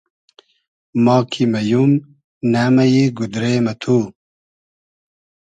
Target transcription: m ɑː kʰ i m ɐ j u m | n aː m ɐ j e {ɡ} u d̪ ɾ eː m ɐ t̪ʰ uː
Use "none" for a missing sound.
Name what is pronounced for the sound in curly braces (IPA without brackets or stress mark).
ɡ